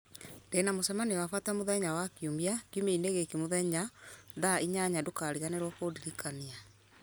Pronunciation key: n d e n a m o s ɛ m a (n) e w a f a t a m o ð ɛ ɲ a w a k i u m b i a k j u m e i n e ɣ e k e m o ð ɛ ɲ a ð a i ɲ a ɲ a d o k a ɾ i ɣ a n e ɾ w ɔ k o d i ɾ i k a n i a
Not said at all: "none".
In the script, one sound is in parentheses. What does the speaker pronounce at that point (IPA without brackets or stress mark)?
n